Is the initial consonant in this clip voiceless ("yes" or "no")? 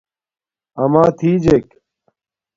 no